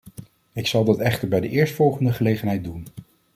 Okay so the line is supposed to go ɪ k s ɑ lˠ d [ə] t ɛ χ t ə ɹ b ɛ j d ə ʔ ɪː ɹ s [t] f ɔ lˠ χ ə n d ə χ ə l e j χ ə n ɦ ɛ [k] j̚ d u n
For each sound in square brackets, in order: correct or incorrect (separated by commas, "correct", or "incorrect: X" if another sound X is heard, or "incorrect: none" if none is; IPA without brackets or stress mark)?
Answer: incorrect: ɑ, correct, incorrect: none